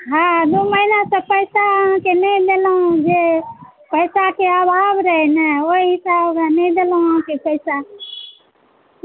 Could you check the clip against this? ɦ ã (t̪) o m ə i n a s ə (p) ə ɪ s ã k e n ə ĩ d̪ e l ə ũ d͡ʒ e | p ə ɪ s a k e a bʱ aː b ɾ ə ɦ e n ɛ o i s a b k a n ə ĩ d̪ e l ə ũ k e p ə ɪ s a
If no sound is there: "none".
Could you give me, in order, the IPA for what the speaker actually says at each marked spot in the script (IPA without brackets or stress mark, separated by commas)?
d̪, p